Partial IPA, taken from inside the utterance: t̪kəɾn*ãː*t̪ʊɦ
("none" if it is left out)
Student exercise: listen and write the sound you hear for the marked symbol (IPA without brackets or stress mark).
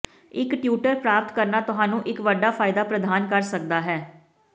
aː